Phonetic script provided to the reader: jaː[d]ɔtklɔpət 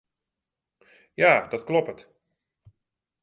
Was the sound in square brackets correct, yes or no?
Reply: yes